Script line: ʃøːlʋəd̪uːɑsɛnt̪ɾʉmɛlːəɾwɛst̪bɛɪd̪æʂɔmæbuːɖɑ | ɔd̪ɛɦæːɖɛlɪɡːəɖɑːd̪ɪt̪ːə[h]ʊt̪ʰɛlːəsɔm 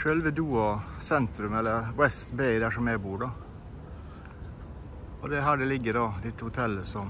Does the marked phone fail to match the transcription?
no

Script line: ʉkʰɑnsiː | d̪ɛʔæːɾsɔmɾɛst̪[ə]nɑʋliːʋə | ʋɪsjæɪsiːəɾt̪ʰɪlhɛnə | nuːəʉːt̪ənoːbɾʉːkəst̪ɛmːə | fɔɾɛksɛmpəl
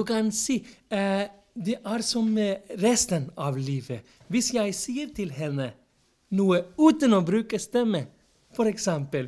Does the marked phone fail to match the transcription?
no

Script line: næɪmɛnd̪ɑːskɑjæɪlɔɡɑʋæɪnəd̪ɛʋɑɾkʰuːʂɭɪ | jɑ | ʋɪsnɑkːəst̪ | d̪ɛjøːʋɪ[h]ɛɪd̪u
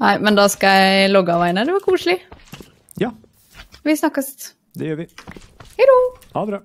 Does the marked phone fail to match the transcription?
no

